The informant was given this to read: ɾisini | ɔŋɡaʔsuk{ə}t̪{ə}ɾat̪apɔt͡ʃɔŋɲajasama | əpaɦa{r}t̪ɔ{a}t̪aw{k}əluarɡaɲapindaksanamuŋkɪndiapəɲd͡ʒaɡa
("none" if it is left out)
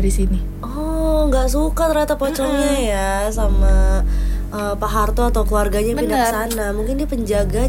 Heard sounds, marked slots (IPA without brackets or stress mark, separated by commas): a, ə, r, a, k